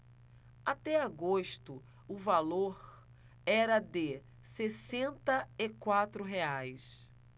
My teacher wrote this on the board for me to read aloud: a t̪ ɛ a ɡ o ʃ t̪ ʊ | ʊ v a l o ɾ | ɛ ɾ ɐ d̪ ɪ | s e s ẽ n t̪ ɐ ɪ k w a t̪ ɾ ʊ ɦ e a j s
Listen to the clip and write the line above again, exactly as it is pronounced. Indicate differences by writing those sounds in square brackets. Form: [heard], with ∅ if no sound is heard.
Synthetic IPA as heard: a t̪ ɛ a ɡ o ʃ t̪ ʊ | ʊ v a l o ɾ | ɛ ɾ ɐ d̪ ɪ | s e s ẽ n t̪ ɐ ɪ k w a t̪ ɾ ʊ ɦ e a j s